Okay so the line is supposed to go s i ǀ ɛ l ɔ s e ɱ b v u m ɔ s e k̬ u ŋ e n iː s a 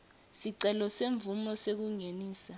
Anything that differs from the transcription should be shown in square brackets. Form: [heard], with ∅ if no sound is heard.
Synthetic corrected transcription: s i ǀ ɛ l ɔ s e ɱ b v u m ɔ s e k̬ u ŋ e n iː s a